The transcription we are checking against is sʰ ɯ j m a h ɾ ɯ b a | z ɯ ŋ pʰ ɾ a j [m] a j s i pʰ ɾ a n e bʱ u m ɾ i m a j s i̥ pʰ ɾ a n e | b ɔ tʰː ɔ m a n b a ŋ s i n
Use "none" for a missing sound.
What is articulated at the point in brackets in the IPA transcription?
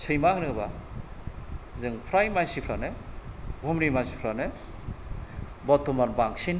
m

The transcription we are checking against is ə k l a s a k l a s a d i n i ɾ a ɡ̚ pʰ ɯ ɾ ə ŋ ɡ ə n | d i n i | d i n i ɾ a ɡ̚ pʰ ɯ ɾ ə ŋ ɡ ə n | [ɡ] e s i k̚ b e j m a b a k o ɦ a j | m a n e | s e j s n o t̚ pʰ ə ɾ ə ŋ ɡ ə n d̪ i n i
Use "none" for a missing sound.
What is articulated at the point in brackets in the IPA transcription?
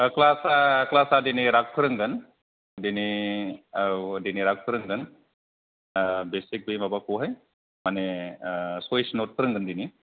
b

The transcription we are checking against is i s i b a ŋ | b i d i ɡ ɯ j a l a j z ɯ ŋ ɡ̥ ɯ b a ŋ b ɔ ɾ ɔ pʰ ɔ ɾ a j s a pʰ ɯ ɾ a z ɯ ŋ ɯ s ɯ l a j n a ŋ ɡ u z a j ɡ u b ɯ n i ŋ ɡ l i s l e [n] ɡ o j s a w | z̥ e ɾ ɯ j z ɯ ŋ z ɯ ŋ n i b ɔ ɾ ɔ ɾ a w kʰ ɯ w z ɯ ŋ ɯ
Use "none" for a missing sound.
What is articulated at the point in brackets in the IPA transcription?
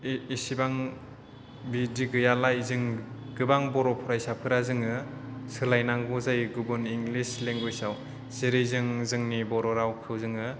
ŋ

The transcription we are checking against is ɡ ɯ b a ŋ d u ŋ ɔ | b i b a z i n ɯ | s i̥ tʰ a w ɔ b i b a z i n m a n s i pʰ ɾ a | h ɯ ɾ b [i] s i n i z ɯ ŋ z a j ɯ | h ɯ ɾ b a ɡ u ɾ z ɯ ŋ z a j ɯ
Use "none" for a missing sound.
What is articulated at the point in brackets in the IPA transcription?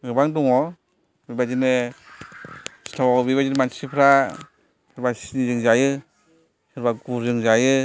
a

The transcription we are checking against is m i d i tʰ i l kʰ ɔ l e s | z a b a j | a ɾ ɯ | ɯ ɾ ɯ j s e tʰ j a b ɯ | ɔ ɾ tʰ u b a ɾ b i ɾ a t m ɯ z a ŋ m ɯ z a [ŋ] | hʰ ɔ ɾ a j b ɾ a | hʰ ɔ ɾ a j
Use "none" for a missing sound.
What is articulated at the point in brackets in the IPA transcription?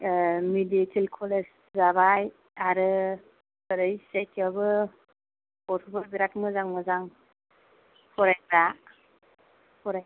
ŋ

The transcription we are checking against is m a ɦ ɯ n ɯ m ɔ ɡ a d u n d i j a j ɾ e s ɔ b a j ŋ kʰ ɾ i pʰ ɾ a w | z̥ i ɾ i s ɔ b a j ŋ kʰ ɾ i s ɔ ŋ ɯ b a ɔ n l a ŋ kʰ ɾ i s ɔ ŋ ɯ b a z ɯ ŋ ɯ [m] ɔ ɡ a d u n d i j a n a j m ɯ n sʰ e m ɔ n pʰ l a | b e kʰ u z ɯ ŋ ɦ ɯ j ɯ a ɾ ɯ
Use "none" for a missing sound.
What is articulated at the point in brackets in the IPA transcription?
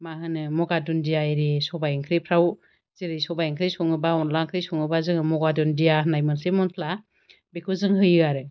m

